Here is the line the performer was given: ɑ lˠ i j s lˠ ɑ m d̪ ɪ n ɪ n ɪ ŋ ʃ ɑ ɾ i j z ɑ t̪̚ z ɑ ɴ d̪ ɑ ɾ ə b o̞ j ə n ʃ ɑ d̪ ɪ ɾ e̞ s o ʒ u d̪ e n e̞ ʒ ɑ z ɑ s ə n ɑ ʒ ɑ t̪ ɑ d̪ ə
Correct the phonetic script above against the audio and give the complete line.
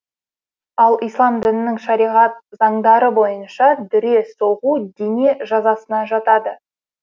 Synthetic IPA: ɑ lˠ i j s lˠ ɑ m d̪ ɪ n ɪ n ɪ ŋ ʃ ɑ ɾ i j ʁ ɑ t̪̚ z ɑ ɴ d̪ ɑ ɾ ə b o̞ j ə n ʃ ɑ d̪ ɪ ɾ e̞ s o ʁ u d̪ e n e̞ ʒ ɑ z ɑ s ə n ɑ ʒ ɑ t̪ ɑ d̪ ə